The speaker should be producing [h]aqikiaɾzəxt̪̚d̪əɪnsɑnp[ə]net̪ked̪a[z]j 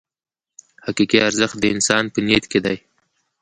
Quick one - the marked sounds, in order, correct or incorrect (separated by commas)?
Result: correct, correct, incorrect